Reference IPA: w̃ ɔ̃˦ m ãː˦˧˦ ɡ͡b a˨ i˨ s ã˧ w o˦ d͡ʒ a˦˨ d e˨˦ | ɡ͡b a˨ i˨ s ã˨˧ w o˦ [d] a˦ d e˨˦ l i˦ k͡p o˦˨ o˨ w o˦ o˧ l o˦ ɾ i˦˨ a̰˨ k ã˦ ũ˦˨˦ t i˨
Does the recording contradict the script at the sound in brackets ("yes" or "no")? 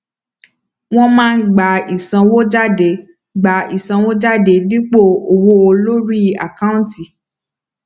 yes